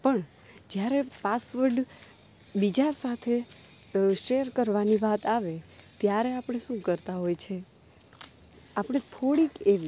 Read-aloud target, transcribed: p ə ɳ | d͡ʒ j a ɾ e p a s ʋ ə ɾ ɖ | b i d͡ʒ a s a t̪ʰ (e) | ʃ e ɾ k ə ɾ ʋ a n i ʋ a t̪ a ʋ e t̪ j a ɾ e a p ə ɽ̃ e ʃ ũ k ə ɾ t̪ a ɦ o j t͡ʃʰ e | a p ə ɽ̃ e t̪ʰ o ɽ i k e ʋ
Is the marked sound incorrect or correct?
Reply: correct